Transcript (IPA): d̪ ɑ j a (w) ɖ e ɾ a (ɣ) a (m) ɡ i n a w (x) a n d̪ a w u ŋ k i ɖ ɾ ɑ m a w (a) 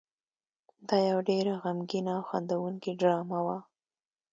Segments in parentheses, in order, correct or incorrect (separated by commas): correct, correct, correct, correct, correct